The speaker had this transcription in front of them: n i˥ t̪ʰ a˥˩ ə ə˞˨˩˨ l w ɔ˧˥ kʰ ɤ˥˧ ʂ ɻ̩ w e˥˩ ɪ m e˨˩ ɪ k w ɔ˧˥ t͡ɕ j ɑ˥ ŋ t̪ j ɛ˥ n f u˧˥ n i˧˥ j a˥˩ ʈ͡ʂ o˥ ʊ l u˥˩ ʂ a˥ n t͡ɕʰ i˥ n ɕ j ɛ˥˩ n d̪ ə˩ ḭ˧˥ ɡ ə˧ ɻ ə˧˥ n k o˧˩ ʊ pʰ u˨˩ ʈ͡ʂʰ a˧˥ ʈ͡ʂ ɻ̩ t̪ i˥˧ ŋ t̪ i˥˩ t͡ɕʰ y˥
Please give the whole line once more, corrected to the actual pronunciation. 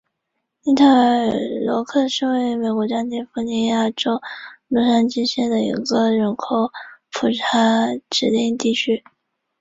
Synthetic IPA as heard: n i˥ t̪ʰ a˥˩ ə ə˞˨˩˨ l w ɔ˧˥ kʰ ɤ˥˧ ʂ ɻ̩ w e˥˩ ɪ m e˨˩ ɪ k w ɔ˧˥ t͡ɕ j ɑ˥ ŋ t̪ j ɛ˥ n f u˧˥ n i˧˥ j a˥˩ ʈ͡ʂ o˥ ʊ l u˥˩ ʂ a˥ n t͡ɕ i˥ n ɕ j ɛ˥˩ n d̪ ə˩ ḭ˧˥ ɡ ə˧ ɻ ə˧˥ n kʰ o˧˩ ʊ pʰ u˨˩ ʈ͡ʂʰ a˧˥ ʈ͡ʂ ɻ̩ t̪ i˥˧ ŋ t̪ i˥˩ t͡ɕʰ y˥

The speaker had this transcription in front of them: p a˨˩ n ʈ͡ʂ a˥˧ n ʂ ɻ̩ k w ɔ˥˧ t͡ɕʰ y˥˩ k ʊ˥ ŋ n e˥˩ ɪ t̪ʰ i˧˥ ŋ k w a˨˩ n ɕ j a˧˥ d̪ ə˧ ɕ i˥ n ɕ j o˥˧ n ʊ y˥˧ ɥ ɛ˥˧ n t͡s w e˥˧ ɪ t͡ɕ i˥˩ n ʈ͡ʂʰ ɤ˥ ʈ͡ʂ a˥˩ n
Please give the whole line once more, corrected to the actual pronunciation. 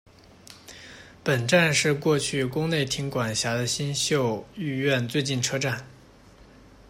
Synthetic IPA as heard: p ə˨˩ n ʈ͡ʂ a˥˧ n ʂ ɻ̩ k w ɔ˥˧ t͡ɕʰ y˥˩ k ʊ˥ ŋ n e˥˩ ɪ t̪ʰ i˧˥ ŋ k w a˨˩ n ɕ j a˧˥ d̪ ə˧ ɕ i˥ n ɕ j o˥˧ ʊ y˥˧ ɥ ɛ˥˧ n t͡s w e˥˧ ɪ t͡ɕ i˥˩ n ʈ͡ʂʰ ɤ˥ ʈ͡ʂ a˥˩ n

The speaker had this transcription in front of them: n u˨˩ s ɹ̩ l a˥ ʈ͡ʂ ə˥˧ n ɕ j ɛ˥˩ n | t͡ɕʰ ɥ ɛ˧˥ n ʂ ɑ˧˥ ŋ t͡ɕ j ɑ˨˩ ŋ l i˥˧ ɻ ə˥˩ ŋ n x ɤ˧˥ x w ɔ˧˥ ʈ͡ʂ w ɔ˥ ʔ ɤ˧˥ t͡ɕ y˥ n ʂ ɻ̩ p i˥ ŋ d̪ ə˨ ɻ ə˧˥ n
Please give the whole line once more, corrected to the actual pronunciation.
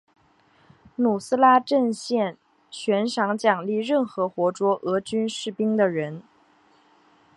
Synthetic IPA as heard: n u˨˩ s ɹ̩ l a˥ ʈ͡ʂ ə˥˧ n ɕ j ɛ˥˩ n | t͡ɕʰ ɥ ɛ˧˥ n ʂ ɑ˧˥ ŋ t͡ɕ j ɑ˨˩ ŋ l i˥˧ ɻ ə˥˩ n x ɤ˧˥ x w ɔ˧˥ ʈ͡ʂ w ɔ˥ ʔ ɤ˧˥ t͡ɕ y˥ n ʂ ɻ̩ p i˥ ŋ d̪ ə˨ ɻ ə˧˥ n

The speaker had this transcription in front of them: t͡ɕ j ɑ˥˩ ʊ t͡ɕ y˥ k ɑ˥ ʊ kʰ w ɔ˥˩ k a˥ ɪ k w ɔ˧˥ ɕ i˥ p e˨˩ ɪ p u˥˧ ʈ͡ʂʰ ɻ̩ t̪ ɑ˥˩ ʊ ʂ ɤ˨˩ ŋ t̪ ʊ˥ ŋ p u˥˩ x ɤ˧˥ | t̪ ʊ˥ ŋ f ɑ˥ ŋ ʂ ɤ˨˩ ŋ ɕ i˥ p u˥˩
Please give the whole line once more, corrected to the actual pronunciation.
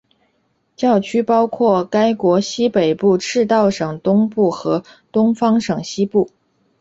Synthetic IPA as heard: t͡ɕ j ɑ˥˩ ʊ t͡ɕʰ y˥ p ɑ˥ ʊ kʰ w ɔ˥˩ k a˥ ɪ k w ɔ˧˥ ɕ i˥ p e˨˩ ɪ p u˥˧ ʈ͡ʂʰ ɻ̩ t̪ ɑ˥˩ ʊ ʂ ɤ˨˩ ŋ t̪ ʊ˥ ŋ p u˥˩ x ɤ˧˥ | t̪ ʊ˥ ŋ f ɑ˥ ŋ ʂ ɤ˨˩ ŋ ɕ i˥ p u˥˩

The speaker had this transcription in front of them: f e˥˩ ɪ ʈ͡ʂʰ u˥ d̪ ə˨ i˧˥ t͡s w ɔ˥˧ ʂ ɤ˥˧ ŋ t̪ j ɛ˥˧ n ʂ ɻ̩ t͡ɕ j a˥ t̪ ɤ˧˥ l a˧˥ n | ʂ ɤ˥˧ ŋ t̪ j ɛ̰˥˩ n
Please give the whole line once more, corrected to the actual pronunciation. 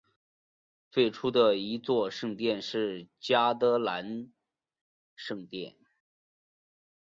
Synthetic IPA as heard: f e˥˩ ɪ ʈ͡ʂʰ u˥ d̪ ə˨ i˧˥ t͡s w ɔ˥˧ ʂ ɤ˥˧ ŋ t̪ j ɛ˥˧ n ʂ ɻ̩ t͡ɕ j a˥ t̪ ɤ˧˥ l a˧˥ n | ʂ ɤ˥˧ ŋ t̪ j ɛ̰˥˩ n

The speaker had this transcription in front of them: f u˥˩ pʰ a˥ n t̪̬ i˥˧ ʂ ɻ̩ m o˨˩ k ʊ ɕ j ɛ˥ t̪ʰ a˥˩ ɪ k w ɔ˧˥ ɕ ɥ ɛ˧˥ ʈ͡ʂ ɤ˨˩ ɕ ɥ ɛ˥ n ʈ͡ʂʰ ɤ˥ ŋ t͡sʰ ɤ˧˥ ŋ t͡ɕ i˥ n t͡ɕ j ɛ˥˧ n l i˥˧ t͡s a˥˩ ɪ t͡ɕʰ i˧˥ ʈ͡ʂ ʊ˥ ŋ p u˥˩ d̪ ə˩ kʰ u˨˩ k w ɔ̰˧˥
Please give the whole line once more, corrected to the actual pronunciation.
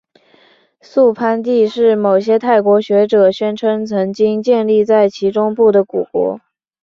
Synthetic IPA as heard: s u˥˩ pʰ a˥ n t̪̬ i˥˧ ʂ ɻ̩ m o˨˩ ʊ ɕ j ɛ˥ t̪ʰ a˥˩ ɪ k w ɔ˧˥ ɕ ɥ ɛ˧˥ ʈ͡ʂ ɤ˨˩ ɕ ɥ ɛ˥ n ʈ͡ʂʰ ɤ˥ ŋ t͡sʰ ɤ˧˥ ŋ t͡ɕ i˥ ŋ t͡ɕ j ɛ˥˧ n l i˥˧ t͡s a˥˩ ɪ t͡ɕʰ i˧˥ ʈ͡ʂ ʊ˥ ŋ p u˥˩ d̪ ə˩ k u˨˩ k w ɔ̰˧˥

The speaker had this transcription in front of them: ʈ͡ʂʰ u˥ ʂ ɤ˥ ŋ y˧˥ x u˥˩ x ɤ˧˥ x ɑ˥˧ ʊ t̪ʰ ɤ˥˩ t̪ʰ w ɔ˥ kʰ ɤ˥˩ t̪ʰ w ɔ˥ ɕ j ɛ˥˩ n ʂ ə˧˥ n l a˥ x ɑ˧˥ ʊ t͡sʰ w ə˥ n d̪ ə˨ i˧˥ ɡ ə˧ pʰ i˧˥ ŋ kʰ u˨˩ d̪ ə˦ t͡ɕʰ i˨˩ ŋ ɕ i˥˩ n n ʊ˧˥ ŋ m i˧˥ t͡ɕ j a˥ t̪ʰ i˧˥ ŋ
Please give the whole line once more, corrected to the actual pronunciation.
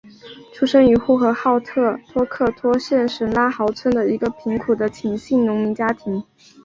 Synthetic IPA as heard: ʈ͡ʂʰ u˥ ʂ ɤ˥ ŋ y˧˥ x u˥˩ x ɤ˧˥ x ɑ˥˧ ʊ t̪ʰ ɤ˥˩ t̪ʰ w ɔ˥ kʰ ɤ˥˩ t̪ʰ w ɔ˥ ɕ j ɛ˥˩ n ʂ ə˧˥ n l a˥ x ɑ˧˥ ʊ t͡sʰ w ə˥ n d̪ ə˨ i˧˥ ɡ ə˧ pʰ i˧˥ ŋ kʰ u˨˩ d̪ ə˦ t͡ɕʰ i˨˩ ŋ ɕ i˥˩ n n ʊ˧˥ ŋ m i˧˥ t͡ɕ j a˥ t̪ʰ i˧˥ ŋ

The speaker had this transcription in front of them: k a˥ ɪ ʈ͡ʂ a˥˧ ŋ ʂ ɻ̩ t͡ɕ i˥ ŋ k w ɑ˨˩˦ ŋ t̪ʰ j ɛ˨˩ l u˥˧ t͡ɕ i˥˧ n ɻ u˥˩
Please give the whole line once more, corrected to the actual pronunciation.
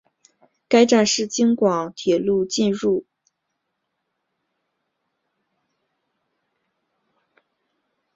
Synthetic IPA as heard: k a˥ ɪ ʈ͡ʂ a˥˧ n ʂ ɻ̩ t͡ɕ i˥ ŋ k w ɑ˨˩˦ ŋ t̪ʰ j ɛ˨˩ l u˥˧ t͡ɕ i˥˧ n ɻ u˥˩

